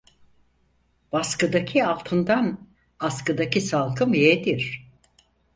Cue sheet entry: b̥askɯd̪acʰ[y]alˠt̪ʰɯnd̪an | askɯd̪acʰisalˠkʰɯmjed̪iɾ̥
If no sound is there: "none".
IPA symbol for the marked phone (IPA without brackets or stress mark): i